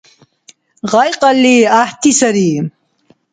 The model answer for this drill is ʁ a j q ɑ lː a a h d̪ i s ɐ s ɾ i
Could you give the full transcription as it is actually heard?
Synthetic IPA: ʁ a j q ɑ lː i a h t̪ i s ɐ ɾ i